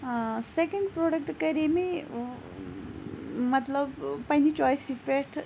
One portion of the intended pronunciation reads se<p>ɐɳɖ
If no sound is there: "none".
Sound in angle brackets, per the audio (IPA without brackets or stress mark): k